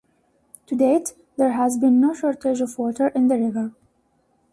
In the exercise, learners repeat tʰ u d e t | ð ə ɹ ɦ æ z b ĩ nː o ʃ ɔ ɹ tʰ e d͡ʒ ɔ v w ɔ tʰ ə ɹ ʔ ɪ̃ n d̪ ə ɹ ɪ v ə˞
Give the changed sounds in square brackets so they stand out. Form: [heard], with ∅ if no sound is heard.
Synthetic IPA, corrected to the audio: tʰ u d e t | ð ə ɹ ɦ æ z b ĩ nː o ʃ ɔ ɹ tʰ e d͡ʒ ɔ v w ɔ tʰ ə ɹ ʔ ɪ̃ n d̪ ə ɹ ɪ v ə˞